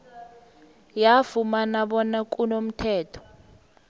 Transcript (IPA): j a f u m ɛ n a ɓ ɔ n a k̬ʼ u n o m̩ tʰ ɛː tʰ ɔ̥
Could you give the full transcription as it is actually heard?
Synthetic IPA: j a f u m a n a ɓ ɔ n a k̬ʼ u n o m̩ tʰ ɛː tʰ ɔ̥